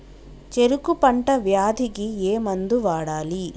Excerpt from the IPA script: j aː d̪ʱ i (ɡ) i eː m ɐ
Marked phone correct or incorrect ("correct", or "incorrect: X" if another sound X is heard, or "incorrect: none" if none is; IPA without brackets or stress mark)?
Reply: correct